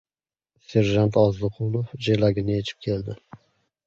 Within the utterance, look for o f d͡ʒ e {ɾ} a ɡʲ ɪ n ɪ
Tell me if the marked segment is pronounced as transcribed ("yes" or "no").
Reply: no